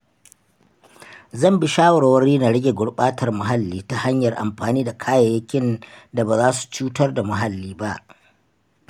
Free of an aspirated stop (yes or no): no